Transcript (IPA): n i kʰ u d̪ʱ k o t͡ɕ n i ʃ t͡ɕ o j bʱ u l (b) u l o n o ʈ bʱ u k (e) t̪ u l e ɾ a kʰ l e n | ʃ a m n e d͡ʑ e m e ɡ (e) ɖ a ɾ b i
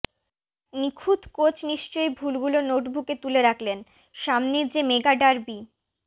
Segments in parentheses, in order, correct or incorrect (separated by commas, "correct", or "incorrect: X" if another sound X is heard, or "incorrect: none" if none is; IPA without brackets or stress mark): incorrect: ɡ, correct, incorrect: a